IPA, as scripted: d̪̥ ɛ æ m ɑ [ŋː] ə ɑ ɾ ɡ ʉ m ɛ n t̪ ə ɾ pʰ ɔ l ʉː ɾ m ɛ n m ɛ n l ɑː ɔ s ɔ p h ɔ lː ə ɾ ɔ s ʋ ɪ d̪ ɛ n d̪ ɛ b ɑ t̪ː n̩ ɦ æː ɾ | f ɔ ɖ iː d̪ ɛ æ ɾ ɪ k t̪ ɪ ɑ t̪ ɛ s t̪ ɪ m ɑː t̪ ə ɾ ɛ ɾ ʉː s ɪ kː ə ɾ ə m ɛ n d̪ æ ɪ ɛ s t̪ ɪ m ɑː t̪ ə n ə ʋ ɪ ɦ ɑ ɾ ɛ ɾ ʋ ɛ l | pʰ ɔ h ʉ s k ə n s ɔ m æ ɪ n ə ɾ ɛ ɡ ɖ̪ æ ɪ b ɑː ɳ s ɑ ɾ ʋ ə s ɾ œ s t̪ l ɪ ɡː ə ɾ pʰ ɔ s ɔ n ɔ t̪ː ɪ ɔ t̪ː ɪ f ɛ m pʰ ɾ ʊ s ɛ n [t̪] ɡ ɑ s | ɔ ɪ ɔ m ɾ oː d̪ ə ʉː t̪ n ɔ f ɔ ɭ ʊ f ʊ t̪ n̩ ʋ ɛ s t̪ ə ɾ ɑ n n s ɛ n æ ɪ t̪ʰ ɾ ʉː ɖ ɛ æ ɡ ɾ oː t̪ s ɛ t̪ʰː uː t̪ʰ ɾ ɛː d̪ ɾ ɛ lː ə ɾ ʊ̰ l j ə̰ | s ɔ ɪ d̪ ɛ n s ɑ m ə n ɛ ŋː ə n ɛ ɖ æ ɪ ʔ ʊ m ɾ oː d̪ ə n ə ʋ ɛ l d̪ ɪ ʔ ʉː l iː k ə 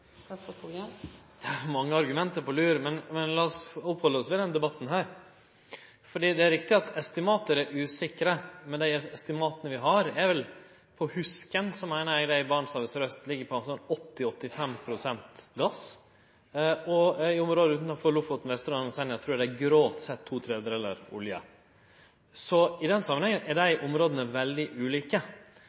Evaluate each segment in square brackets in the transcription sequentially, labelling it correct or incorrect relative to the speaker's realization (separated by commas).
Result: correct, correct